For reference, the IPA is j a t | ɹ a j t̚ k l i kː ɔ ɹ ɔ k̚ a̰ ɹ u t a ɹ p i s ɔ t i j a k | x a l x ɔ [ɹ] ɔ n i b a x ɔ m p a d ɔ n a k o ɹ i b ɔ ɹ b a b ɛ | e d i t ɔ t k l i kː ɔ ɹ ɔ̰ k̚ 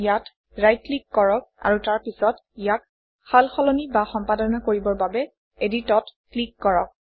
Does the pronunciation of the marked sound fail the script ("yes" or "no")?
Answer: yes